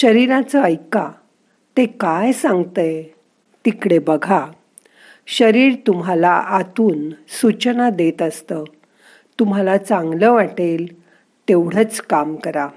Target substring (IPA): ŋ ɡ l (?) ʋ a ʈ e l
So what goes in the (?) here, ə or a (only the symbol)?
ə